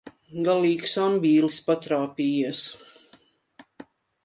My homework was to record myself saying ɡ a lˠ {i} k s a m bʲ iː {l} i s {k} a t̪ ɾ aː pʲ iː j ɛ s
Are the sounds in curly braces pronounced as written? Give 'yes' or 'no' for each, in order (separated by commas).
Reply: no, yes, no